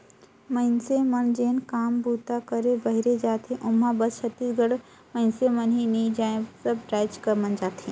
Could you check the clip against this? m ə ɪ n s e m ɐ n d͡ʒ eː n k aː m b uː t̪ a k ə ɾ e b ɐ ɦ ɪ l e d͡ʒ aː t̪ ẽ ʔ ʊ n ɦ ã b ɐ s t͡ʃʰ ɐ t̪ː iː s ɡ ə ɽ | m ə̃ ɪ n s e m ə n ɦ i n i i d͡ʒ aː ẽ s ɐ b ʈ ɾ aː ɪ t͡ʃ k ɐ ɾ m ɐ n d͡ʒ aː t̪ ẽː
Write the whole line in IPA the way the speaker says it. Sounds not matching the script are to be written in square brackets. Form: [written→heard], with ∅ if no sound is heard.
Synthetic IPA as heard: m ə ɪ n s e m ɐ n d͡ʒ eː n k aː m b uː t̪ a k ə ɾ e b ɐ ɦ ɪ [l→ɾ] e d͡ʒ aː t̪ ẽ ʔ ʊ [n→m] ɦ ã b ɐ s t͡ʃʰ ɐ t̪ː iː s ɡ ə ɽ | m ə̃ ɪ n s e m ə n ɦ i n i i d͡ʒ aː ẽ s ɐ b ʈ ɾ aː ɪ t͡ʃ k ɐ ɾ m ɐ n d͡ʒ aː t̪ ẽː